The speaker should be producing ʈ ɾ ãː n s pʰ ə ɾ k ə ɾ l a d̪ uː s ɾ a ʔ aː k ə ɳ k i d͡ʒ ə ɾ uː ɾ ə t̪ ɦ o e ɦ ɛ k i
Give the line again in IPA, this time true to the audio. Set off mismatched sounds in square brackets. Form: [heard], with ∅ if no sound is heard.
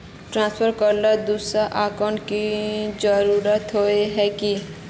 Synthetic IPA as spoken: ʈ ɾ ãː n s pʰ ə ɾ k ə ɾ l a d̪ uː s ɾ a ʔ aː k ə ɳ k i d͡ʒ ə ɾ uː ɾ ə t̪ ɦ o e ɦ ɛ k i